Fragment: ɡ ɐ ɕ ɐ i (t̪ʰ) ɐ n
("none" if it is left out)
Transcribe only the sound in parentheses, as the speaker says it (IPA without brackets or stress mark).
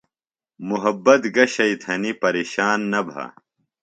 t̪ʰ